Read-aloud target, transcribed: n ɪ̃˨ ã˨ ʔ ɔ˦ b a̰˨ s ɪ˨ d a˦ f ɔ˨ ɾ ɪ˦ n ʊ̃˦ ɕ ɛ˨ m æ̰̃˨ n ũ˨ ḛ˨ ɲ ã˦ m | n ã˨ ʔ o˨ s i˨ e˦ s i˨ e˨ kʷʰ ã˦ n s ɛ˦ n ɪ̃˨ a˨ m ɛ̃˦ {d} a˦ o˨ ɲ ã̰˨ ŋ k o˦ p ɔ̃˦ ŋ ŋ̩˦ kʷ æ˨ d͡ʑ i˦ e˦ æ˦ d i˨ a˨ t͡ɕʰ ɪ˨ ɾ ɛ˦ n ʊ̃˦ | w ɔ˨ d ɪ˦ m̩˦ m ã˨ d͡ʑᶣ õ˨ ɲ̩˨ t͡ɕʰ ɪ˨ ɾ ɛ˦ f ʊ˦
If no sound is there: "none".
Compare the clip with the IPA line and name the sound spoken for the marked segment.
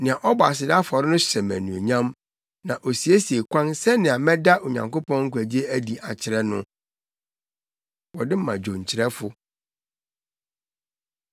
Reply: d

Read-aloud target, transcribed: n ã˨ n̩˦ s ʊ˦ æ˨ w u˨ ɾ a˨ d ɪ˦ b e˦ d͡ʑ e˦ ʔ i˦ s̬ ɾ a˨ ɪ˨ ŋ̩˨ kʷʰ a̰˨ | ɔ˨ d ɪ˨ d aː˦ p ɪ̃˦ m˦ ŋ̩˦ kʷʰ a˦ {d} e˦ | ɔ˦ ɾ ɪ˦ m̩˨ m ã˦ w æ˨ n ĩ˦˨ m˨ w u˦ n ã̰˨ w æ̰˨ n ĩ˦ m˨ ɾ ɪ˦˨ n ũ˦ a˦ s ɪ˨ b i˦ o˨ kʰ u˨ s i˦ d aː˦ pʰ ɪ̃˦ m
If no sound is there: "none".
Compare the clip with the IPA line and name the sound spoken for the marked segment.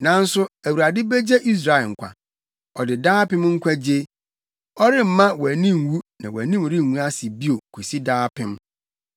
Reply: d͡ʑ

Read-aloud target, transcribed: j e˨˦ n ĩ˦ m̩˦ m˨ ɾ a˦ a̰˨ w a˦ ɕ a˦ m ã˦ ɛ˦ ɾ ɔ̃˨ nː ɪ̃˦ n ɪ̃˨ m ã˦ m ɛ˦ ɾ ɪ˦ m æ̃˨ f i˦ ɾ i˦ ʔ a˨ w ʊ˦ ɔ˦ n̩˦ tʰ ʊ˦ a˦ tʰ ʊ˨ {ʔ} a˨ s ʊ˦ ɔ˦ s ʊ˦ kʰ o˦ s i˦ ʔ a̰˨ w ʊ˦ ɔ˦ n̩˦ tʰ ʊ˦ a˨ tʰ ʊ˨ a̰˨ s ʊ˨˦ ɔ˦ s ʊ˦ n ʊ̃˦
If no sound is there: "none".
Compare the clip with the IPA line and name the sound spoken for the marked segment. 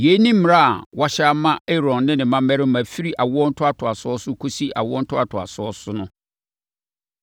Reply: none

